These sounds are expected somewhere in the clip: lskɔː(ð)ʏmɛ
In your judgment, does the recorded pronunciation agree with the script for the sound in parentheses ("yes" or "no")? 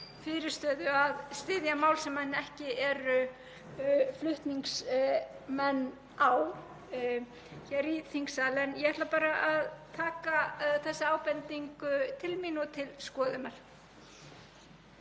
yes